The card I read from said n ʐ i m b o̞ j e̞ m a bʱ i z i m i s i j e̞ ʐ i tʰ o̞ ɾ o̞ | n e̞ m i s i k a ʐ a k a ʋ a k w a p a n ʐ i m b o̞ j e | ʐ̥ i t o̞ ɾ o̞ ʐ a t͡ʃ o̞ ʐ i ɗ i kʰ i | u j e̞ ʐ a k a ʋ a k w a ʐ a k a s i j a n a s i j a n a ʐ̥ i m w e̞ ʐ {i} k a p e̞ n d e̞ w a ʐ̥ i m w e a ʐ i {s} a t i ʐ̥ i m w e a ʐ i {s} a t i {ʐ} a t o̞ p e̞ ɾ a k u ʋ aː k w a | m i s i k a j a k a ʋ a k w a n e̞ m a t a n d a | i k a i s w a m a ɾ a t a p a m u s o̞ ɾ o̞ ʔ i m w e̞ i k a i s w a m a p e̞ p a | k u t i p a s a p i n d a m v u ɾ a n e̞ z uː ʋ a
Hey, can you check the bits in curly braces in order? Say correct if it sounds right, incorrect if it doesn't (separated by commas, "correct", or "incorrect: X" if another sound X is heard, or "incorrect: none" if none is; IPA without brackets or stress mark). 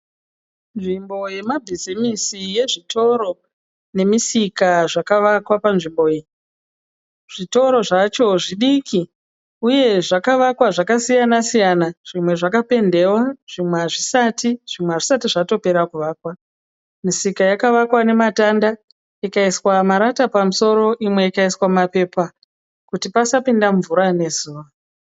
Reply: incorrect: a, correct, correct, correct